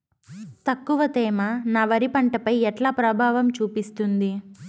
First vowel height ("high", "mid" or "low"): low